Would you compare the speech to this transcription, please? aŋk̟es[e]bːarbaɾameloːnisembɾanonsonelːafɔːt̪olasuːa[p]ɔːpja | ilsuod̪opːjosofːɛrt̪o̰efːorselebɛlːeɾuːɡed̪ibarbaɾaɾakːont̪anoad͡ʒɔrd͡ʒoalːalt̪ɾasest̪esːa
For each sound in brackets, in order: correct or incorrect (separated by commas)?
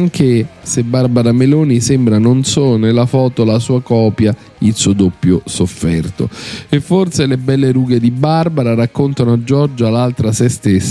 correct, incorrect